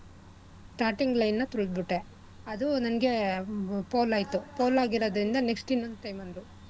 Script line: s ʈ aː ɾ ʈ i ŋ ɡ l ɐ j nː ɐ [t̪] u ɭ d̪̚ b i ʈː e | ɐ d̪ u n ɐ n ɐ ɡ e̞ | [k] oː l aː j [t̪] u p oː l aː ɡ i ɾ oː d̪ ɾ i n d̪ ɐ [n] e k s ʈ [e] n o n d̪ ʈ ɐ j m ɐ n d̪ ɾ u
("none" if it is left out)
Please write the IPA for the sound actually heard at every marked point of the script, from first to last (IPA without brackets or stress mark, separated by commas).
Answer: t̪, p, t̪, n, i